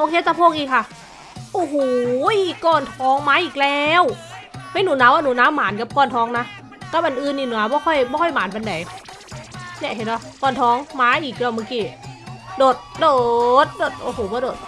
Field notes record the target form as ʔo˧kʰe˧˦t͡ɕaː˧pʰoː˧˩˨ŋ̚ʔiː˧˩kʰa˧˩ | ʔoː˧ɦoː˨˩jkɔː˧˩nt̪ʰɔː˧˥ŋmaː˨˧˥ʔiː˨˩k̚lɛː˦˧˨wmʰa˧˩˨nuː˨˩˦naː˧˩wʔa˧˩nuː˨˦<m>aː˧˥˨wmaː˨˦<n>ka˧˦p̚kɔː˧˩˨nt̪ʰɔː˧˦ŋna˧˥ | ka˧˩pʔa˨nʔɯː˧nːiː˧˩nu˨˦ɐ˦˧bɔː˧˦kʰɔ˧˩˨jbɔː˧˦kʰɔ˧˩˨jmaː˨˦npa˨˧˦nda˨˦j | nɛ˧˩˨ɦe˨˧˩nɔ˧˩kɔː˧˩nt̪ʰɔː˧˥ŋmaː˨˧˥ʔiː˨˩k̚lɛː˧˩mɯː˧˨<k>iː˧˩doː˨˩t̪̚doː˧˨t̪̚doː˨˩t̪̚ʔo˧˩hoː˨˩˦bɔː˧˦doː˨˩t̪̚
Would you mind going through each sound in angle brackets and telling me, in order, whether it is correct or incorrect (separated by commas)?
incorrect, correct, correct